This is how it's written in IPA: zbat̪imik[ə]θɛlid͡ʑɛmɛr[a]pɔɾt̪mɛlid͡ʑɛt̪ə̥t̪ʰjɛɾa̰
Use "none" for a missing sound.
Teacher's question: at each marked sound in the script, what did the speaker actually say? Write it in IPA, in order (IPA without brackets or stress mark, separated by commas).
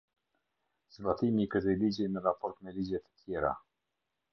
ə, a